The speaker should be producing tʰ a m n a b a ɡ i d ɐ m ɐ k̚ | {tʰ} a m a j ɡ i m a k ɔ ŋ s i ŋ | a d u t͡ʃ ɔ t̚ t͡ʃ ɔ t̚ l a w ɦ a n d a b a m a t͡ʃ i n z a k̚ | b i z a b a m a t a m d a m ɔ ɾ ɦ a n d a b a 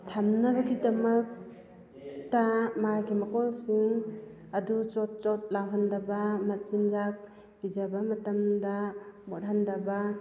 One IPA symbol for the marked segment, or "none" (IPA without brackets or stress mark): t